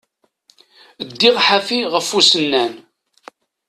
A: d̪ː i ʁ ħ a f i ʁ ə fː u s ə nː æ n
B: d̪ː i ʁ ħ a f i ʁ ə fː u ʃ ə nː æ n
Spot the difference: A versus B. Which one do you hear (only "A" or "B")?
A